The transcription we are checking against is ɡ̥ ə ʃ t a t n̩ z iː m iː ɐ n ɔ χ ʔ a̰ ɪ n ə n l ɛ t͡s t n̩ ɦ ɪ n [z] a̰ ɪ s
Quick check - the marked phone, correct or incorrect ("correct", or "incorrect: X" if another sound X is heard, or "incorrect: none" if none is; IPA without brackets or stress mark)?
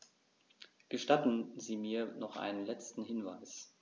incorrect: v